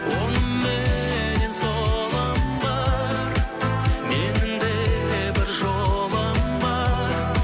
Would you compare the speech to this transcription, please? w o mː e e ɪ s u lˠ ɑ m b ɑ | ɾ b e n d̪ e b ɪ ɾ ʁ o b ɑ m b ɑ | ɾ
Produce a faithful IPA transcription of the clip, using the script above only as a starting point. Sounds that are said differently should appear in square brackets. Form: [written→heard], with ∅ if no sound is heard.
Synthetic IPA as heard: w o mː e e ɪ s [u→o] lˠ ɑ m b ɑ | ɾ [b→m] e n d̪ e b ɪ ɾ [ʁ→ʒ] o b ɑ m b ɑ | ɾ

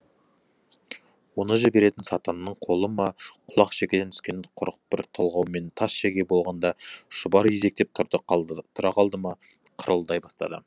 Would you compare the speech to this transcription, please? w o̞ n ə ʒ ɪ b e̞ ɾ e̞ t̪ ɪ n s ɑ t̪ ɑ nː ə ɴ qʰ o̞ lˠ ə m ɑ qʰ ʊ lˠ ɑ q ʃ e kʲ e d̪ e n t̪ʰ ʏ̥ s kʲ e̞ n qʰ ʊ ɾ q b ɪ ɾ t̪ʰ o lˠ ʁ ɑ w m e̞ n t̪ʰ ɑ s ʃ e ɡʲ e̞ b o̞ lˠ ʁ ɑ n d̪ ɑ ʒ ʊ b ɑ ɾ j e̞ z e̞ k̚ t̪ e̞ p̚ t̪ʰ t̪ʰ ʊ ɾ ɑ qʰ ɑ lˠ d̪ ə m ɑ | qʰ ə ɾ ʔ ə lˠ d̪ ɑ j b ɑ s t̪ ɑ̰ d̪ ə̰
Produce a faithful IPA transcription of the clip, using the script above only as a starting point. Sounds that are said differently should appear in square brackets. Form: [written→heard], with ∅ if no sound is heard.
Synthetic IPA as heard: w o̞ n ə ʒ ɪ b e̞ ɾ e̞ t̪ ɪ n s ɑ t̪ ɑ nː ə ɴ qʰ o̞ lˠ ə m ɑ qʰ ʊ lˠ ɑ q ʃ e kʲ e d̪ e n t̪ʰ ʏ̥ s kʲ e̞ n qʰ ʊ ɾ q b ɪ ɾ t̪ʰ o lˠ ʁ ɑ w m e̞ n t̪ʰ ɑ s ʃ e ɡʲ e̞ b o̞ lˠ ʁ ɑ n d̪ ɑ [ʒ→ʃ] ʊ b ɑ ɾ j e̞ z e̞ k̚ t̪ e̞ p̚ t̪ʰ t̪ʰ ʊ ɾ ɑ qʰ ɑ lˠ d̪ ə m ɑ | qʰ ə ɾ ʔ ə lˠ d̪ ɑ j b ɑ s t̪ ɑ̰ d̪ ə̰

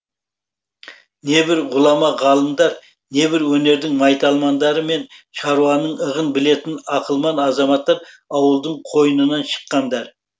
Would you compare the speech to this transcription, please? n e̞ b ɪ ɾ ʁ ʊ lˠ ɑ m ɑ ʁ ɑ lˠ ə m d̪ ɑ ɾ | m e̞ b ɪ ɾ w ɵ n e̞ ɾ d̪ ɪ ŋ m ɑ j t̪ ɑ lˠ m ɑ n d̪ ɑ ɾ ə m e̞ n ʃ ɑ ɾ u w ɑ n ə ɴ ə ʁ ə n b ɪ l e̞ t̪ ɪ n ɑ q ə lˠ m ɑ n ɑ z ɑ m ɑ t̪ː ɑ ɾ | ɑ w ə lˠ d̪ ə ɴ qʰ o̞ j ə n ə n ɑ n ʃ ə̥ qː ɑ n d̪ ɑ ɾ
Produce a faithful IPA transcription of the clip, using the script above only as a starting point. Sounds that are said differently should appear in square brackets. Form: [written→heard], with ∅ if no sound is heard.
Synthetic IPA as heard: n e̞ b ɪ ɾ ʁ ʊ lˠ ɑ m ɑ ʁ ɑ lˠ ə m d̪ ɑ ɾ | [m→n] e̞ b ɪ ɾ w ɵ n e̞ ɾ d̪ ɪ ŋ m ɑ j t̪ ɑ lˠ m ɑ n d̪ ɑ ɾ ə m e̞ n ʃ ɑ ɾ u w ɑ n ə ɴ ə ʁ ə n b ɪ l e̞ t̪ ɪ n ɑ q ə lˠ m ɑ n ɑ z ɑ m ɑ t̪ː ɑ ɾ | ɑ w ə lˠ d̪ ə ɴ qʰ o̞ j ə n ə n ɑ n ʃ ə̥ qː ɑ n d̪ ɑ ɾ

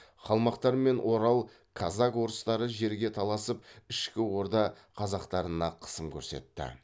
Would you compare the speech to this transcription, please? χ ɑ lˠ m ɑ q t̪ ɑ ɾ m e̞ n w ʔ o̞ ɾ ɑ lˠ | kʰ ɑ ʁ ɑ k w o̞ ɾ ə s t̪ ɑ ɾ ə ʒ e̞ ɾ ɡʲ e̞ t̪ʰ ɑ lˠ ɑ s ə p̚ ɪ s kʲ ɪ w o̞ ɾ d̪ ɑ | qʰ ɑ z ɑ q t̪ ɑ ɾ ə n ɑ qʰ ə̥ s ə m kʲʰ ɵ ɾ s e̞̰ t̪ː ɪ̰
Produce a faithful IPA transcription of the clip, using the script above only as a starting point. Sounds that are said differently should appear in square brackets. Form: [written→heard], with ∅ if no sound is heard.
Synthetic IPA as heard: χ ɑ lˠ m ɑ q t̪ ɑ ɾ m e̞ n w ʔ o̞ ɾ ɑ lˠ | kʰ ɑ [ʁ→z] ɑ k w o̞ ɾ ə s t̪ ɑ ɾ ə ʒ e̞ ɾ ɡʲ e̞ t̪ʰ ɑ lˠ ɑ s ə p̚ ɪ [s→ʃ] kʲ ɪ w o̞ ɾ d̪ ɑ | qʰ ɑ z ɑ q t̪ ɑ ɾ ə n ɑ qʰ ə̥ s ə m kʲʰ ɵ ɾ s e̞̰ t̪ː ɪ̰

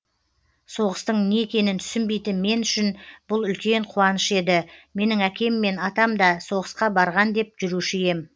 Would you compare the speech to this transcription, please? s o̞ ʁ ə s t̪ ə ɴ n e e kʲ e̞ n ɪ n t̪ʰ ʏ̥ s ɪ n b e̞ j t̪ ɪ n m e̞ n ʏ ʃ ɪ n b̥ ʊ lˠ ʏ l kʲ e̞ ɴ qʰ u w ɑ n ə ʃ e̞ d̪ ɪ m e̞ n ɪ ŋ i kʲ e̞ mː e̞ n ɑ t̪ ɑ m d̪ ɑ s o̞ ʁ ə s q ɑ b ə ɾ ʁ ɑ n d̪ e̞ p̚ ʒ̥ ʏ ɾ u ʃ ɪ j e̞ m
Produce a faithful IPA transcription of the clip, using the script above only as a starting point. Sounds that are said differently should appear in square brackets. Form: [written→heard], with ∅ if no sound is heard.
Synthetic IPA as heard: s o̞ ʁ ə s t̪ ə ɴ n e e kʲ e̞ n ɪ n t̪ʰ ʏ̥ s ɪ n b e̞ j t̪ ɪ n m e̞ n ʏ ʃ ɪ n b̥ ʊ lˠ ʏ l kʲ e̞ ɴ qʰ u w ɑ n ə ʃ e̞ d̪ ɪ m e̞ n ɪ ŋ [i→æ] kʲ e̞ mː e̞ n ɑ t̪ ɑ m d̪ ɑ s o̞ ʁ ə s q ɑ b [ə→ɑ] ɾ ʁ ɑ n d̪ e̞ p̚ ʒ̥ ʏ ɾ u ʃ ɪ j e̞ m

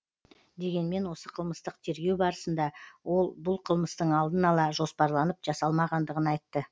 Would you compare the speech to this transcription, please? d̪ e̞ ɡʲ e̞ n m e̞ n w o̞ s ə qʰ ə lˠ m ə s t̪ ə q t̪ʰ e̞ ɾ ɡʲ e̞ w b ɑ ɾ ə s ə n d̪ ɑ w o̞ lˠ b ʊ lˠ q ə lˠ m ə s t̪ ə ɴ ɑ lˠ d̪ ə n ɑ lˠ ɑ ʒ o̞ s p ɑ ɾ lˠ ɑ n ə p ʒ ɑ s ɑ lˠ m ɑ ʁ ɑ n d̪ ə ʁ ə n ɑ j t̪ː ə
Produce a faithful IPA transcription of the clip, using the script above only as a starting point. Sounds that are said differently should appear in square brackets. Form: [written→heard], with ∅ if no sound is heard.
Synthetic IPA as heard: d̪ e̞ ɡʲ e̞ n m e̞ n w o̞ s ə qʰ ə lˠ m ə s t̪ ə q t̪ʰ e̞ ɾ ɡʲ e̞ w b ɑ ɾ ə s ə n d̪ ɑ w o̞ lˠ b ʊ lˠ [q→qʰ] ə lˠ m ə s t̪ ə ɴ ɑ lˠ d̪ ə n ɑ lˠ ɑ ʒ o̞ s p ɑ ɾ lˠ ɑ n ə p ʒ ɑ s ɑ lˠ m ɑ ʁ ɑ n d̪ ə ʁ ə n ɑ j t̪ː ə

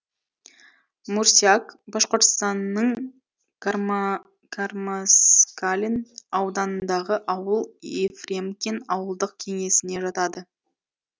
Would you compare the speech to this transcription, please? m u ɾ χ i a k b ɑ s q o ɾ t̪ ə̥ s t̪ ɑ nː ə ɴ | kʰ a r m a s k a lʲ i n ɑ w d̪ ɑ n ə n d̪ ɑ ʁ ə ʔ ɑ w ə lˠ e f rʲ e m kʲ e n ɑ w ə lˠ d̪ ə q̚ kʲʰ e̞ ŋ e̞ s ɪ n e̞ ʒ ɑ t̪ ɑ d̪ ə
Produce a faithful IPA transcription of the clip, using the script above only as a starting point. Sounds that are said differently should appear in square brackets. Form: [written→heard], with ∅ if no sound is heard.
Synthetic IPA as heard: m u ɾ [χ→s] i a k b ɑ [s→ʃ] q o ɾ t̪ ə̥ s t̪ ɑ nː ə ɴ | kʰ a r m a s k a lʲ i n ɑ w d̪ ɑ n ə n d̪ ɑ ʁ ə ʔ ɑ w ə lˠ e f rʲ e m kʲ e n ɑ w ə lˠ d̪ ə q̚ kʲʰ e̞ ŋ e̞ s ɪ n e̞ ʒ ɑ t̪ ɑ d̪ ə

